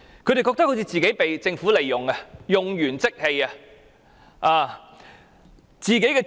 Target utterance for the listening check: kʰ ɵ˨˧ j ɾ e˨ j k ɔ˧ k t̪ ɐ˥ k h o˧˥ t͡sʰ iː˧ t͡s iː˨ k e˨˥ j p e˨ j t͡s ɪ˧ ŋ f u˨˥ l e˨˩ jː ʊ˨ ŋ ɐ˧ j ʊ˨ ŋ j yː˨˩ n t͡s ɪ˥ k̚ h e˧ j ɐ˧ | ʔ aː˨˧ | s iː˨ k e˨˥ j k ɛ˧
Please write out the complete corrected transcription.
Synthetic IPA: kʰ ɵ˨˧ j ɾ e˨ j k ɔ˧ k t̪ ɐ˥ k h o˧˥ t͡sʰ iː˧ t͡s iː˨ k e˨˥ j p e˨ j t͡s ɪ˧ ŋ f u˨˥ l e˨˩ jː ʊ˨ ŋ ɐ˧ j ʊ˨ ŋ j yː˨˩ n t͡s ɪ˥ k̚ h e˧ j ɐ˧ | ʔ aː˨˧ | t͡s iː˨ k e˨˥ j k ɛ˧